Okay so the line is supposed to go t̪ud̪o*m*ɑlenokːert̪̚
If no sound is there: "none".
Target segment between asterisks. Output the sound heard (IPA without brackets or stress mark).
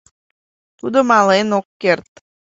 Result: m